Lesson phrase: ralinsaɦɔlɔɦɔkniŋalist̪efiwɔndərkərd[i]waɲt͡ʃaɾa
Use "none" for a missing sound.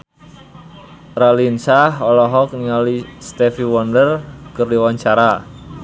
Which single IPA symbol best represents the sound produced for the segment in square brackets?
i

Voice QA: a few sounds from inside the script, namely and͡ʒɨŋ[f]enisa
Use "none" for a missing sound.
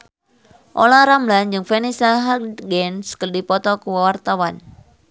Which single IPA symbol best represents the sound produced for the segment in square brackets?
f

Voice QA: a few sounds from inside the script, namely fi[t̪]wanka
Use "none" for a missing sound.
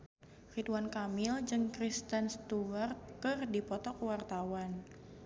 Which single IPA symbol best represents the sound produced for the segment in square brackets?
t̪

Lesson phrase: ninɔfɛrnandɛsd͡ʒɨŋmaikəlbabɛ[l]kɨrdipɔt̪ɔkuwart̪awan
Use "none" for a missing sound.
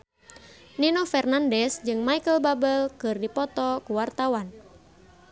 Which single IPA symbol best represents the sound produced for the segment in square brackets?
l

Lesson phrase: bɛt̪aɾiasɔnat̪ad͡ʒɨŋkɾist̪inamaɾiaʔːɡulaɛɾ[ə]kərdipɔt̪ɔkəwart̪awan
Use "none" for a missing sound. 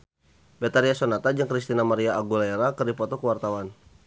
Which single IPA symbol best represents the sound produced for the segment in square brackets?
a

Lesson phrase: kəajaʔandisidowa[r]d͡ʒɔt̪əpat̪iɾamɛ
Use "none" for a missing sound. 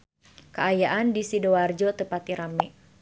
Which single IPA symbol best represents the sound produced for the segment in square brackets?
r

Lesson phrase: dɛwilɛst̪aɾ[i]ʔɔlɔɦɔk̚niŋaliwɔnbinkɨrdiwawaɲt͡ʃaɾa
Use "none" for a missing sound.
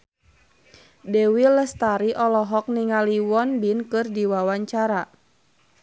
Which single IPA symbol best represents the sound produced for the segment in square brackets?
i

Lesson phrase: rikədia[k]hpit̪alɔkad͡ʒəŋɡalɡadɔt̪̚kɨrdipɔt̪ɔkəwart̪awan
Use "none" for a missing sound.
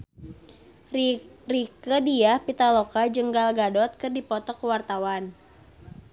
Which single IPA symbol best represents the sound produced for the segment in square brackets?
none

